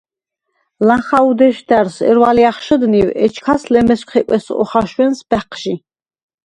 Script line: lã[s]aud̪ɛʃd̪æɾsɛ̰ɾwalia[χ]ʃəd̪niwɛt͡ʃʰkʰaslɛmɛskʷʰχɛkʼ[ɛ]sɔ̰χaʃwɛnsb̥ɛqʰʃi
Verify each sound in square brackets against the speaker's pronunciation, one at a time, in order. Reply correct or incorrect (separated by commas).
incorrect, correct, correct